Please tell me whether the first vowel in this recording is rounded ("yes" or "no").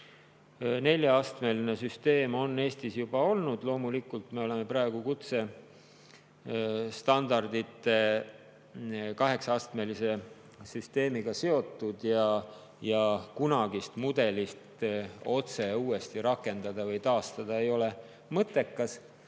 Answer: no